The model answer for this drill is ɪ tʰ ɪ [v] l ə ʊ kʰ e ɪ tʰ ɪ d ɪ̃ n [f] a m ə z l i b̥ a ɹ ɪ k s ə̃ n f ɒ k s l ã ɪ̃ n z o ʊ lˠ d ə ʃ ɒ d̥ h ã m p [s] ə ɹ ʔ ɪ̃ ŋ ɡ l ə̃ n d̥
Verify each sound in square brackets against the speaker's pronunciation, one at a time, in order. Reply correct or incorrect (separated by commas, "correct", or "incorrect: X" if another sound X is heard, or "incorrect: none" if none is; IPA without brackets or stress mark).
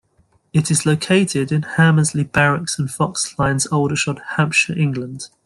incorrect: z, incorrect: h, incorrect: ʃ